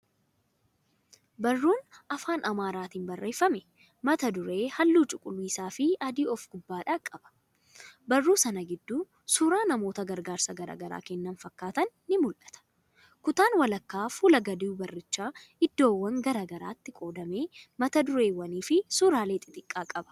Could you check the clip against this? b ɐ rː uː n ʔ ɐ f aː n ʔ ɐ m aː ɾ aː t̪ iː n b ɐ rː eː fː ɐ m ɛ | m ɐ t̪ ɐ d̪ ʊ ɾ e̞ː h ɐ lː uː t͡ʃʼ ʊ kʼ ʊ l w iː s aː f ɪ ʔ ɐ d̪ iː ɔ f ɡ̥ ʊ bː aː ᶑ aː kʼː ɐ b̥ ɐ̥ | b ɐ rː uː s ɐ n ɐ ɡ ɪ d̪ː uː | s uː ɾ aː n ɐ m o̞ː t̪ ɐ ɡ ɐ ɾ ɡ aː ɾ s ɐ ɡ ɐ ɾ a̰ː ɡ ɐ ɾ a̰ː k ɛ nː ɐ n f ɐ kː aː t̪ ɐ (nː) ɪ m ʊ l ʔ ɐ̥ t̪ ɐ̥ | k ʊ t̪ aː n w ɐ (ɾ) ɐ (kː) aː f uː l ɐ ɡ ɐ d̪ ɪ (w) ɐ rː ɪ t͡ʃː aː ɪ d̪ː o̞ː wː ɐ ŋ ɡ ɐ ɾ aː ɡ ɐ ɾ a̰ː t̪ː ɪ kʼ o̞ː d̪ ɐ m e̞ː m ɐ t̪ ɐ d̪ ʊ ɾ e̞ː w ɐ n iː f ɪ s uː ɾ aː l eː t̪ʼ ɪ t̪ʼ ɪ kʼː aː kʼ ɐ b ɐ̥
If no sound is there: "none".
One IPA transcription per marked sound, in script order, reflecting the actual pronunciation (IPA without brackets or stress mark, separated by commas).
nː, l, kː, b